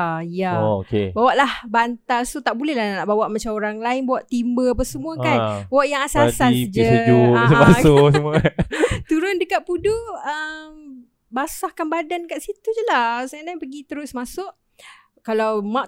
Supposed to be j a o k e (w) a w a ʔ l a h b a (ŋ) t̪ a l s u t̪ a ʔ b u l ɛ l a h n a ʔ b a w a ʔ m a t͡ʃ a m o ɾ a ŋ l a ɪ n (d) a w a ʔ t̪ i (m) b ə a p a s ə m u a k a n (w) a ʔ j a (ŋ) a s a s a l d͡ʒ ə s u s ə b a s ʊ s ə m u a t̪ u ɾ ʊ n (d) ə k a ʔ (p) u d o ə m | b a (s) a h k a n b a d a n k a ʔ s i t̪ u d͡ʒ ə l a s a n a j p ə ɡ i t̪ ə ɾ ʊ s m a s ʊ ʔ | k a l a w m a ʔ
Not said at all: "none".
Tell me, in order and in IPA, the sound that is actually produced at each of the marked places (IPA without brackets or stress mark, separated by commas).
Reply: b, n, b, m, w, ŋ, d, p, s